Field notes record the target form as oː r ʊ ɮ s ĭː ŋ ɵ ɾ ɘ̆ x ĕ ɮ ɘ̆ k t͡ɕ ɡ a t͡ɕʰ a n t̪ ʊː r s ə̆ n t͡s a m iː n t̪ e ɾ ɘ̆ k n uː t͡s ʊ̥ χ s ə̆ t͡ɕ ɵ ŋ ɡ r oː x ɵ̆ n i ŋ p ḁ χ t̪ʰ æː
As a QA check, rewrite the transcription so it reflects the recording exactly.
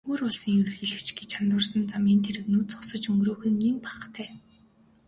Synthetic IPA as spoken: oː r ʊ ɮ s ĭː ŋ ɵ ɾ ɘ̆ x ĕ ɮ ɘ̆ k t͡ɕ ɡ e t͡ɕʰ a n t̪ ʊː r s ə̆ n t͡s a m iː n t̪ʰ e ɾ ɘ̆ k n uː t͡s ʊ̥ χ s ə̆ t͡ɕ ɵ ŋ ɡ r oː x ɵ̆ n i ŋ p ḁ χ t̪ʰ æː